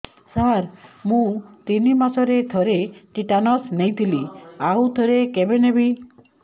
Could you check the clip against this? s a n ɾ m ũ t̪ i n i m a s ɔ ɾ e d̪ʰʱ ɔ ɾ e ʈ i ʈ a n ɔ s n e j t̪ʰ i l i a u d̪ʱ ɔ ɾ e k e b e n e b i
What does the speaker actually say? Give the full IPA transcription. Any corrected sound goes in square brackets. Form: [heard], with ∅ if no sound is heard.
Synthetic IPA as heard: s a [∅] ɾ m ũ t̪ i n i m a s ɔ ɾ e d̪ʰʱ ɔ ɾ e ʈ i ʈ a n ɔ s n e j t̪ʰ i l i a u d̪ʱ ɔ ɾ e k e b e n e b i